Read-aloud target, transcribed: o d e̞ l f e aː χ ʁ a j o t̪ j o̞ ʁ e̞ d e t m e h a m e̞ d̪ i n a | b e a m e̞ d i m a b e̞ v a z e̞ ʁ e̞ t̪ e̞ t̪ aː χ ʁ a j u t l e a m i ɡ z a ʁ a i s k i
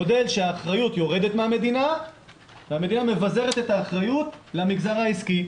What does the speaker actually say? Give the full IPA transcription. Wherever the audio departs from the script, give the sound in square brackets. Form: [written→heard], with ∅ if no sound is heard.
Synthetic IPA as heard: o d e̞ l [f→ʃ] e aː χ ʁ a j [o→u] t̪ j o̞ ʁ e̞ d e t m e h a m e̞ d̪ i n a | [b→v] e a m e̞ d i [m→n] a [b→m] e̞ v a z e̞ ʁ e̞ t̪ e̞ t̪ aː χ ʁ a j u t l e a m i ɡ z a ʁ a i s k i